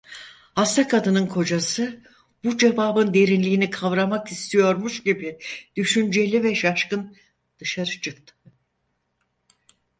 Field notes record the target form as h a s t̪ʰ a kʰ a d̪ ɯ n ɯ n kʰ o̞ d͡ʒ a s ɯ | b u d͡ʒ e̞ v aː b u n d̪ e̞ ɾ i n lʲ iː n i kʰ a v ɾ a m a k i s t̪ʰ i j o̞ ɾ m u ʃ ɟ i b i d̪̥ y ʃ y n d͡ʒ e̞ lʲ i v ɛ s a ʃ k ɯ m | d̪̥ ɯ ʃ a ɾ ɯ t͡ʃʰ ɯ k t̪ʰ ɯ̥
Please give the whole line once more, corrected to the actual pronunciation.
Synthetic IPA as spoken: h a s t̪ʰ a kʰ a d̪ ɯ n ɯ n kʰ o̞ d͡ʒ a s ɯ | b u d͡ʒ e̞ v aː b ɯ n d̪ e̞ ɾ i n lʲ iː n i kʰ a v ɾ a m a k i s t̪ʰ i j o̞ ɾ m u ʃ ɟ i b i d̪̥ y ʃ y n d͡ʒ e̞ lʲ i v ɛ ʃ a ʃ k ɯ n | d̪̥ ɯ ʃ a ɾ ɯ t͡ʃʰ ɯ k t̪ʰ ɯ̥